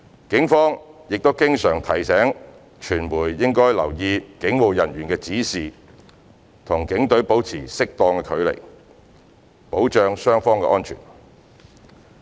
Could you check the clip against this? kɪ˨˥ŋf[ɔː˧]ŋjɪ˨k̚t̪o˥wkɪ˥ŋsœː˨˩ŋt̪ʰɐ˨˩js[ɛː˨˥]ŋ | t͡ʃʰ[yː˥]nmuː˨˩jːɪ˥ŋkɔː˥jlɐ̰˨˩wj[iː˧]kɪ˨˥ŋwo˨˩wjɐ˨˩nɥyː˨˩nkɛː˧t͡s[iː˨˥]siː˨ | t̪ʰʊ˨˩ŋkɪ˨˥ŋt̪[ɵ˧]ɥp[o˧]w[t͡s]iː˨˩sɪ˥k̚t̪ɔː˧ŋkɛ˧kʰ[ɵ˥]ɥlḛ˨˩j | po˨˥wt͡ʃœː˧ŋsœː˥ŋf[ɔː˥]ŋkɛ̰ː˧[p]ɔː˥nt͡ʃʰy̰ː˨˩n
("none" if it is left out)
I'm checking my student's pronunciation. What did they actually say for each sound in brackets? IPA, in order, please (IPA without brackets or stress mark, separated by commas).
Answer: ɔː˥, ɛː˨˥, yː˨˩, iː˧, iː˨˥, ɵ˨˥, o˨˥, t͡sʰ, ɵ˨˧, ɔː˥, ʔ